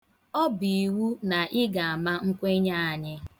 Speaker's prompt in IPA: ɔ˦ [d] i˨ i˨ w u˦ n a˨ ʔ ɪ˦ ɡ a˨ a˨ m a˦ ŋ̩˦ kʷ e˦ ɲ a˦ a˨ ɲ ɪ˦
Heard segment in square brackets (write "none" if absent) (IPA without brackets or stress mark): b